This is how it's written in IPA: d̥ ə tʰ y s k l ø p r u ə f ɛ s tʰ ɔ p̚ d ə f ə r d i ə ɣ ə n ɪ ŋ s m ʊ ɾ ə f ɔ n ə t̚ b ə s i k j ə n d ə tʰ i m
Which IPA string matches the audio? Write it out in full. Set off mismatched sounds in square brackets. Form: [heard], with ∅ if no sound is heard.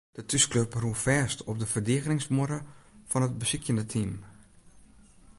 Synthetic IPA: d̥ ə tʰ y s k l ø p r u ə f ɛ s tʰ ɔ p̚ d ə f ə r d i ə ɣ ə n ɪ ŋ s m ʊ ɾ ə f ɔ n ə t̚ b ə s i k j ə n d ə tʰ i m

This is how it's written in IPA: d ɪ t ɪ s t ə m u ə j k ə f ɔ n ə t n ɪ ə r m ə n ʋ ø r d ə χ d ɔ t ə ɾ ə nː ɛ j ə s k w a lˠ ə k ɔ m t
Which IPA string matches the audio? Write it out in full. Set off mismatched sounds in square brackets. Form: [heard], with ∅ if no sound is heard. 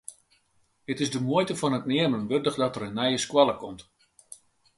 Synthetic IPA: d ɪ t ɪ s [d] ə m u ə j [t] ə f ɔ n ə t n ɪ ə r m ə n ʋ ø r d ə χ d ɔ t ə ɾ ə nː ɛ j ə s k w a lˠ ə k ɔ m t

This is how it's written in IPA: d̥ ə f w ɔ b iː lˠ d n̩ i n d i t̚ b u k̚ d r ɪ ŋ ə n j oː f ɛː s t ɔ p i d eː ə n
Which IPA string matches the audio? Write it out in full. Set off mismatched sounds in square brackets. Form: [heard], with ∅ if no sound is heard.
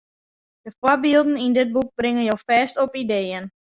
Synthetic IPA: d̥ ə f w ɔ b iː lˠ d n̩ i n d [ɪ] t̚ b u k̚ [b] r ɪ ŋ ə n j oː f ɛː s t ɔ p i d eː ə n

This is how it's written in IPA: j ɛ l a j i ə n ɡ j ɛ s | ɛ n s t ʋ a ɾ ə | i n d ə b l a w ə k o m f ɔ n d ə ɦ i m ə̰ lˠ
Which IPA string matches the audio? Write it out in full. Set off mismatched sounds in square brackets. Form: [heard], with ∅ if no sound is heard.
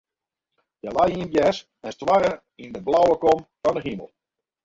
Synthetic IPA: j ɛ l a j i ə n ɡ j ɛ s | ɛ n s t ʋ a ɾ ə | i n d ə b l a w ə k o m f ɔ n d ə ɦ i m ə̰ lˠ

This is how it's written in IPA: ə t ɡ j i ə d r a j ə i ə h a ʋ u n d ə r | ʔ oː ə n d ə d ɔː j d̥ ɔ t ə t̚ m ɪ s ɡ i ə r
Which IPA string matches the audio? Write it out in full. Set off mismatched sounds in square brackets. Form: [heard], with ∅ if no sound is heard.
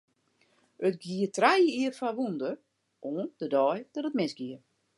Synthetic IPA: ə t ɡ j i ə [t] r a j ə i ə [f] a ʋ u n d ə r | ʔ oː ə n d ə d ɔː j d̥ ɔ t ə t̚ m ɪ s ɡ i ə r

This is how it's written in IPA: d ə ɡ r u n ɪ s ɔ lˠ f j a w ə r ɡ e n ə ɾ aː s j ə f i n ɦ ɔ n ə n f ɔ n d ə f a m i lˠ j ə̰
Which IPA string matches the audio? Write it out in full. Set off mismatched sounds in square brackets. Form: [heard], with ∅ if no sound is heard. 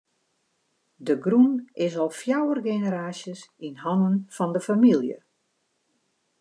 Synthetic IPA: d ə ɡ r u n ɪ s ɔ lˠ f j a w ə r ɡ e n ə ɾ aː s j ə [s] i n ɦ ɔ n ə n f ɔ n d ə f a m i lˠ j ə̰

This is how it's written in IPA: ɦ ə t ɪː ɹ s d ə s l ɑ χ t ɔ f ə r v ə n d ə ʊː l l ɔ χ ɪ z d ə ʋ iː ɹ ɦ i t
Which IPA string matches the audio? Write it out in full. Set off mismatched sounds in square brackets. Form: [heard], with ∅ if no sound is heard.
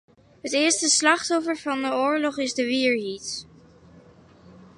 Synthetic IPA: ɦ ə t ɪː ɹ s [t] ə s l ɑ χ t ɔ f ə [ɹ] v [ɑ] n d ə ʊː [ɹ] l ɔ χ ɪ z d ə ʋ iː ɹ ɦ i t

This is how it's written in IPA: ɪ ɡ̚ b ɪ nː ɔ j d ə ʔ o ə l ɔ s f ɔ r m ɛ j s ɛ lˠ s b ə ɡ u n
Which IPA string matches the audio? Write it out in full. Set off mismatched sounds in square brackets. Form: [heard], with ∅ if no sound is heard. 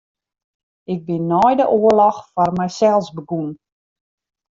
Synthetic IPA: ɪ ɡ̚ b ɪ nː ɔ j d ə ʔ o ə l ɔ [x] f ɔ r m ɛ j s ɛ lˠ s b ə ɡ u n

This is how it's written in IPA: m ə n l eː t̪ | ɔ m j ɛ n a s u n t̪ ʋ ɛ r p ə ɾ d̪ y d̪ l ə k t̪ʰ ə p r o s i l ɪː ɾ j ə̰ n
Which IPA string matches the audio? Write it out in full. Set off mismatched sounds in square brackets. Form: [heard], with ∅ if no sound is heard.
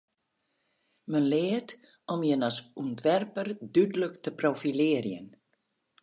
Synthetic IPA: m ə n l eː t̪ | ɔ m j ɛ n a s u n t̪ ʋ ɛ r p ə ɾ d̪ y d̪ l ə k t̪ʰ ə p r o [f] i l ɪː ɾ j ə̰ n

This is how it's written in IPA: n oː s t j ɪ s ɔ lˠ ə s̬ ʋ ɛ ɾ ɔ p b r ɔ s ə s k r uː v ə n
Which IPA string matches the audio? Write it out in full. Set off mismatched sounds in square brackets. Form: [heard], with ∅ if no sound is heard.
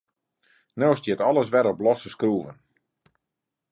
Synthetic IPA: n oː s t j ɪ [t] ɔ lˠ ə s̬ ʋ ɛ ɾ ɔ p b [l] ɔ s ə s k r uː v ə n

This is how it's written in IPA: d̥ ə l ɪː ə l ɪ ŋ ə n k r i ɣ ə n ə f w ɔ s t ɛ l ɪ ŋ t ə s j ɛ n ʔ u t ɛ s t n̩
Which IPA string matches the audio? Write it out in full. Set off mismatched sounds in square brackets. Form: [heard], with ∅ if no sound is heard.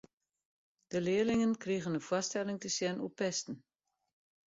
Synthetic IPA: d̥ ə l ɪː ə l ɪ ŋ ə n k r i ɣ ə n ə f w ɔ s t ɛ l ɪ ŋ t ə s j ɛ n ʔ u [p] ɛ s t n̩

